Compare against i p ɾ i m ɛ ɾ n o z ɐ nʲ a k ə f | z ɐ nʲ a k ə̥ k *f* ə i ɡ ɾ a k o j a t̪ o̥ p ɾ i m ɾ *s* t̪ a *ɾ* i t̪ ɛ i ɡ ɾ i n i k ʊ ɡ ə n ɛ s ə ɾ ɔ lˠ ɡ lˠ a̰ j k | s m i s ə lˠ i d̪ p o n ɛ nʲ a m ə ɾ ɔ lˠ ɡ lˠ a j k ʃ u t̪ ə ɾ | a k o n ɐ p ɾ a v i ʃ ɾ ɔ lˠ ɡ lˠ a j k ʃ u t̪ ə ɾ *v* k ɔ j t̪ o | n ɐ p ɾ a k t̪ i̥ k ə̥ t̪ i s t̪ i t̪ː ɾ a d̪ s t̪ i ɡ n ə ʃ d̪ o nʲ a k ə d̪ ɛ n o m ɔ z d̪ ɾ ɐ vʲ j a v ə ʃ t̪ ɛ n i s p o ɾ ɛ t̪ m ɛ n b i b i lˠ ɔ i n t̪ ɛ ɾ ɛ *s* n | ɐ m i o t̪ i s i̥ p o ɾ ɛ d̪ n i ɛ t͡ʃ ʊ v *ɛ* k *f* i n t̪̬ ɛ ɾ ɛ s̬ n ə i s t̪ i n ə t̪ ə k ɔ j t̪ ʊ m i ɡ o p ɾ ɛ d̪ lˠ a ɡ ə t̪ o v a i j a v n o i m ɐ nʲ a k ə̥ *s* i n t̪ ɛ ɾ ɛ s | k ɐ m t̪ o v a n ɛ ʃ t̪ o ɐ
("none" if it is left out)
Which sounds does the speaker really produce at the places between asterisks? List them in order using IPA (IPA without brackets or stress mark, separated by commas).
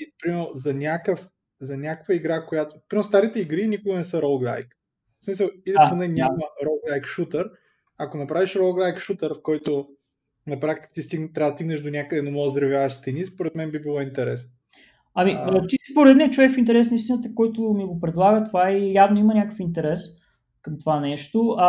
v, s, ɾ, f, s, ɛ, f, f